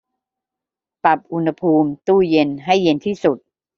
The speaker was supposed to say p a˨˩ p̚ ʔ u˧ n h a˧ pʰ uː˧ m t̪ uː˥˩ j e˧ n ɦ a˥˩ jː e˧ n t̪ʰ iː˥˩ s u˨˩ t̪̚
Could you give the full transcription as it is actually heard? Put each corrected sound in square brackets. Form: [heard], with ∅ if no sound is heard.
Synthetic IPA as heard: p a˨˩ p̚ ʔ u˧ n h a˧ pʰ uː˧ m t̪ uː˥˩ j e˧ n ɦ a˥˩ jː e˧ n t̪ʰ iː˥˩ s u˨˩ t̪̚